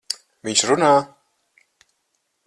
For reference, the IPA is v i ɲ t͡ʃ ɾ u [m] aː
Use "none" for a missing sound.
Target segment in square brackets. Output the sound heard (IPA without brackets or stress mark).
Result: n